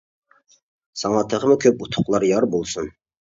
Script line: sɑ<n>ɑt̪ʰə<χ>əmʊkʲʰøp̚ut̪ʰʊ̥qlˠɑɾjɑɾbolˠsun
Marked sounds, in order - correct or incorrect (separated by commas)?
incorrect, incorrect